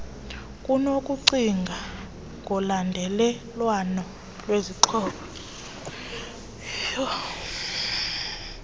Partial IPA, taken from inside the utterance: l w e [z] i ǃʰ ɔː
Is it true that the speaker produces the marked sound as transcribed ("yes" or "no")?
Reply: yes